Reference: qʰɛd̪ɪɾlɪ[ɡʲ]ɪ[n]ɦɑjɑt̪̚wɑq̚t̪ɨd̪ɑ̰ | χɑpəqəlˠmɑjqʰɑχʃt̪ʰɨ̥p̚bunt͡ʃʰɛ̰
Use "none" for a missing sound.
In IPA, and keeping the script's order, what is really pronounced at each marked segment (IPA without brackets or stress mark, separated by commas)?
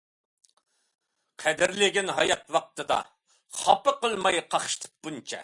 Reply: ɡʲ, n